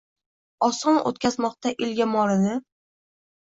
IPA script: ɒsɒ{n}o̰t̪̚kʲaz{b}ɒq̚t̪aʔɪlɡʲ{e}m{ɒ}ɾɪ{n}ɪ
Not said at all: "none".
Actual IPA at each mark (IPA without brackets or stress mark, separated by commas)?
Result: n, m, a, ɒ, n